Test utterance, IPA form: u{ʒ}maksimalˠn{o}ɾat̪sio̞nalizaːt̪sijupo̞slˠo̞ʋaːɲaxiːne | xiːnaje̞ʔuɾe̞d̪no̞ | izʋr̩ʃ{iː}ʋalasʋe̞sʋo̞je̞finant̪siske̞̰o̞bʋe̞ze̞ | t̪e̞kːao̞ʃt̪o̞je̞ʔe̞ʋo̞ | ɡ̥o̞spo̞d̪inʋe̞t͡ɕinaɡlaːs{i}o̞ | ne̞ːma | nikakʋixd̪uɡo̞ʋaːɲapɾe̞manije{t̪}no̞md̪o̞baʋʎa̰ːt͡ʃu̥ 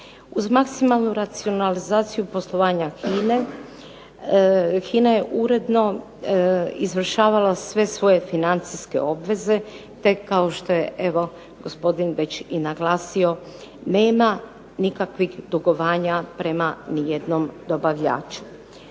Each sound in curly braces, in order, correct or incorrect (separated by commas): incorrect, incorrect, incorrect, correct, incorrect